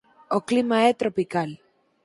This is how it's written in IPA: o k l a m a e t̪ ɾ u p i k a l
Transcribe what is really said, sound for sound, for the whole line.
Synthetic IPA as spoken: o k l i m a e t̪ ɾ o p i k a l